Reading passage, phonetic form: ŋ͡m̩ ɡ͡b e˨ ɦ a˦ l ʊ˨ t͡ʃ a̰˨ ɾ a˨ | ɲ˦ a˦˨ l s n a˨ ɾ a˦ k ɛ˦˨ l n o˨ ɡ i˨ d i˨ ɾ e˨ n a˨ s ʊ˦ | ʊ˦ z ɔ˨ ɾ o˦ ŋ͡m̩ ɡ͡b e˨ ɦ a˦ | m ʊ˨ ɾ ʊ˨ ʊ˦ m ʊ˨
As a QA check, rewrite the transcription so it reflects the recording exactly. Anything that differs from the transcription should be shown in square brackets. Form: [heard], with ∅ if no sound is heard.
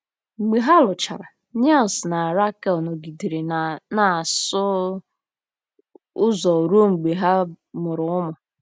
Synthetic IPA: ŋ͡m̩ ɡ͡b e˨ ɦ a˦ l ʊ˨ t͡ʃ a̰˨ ɾ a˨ | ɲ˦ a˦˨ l s n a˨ ɾ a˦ k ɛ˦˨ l n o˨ ɡ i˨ d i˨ ɾ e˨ n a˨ s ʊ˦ | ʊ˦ z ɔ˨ ɾ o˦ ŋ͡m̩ ɡ͡b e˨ ɦ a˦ | m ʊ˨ ɾ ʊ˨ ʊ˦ m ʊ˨